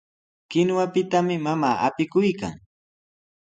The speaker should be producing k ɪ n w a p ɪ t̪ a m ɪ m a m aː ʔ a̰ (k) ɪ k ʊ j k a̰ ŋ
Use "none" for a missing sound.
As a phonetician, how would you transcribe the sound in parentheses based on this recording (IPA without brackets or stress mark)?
p